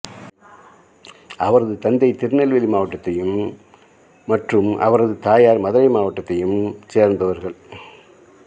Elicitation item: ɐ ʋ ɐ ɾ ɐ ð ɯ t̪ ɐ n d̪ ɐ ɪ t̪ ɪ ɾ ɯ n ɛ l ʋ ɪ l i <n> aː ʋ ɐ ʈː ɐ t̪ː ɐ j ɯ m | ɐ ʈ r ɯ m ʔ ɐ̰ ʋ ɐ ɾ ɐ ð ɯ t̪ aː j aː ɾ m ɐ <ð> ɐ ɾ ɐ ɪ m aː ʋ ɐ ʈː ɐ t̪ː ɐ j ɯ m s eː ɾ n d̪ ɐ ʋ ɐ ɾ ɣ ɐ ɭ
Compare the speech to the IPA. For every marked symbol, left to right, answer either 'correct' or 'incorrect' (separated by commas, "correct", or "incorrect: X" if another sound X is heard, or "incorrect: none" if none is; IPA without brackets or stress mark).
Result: incorrect: m, correct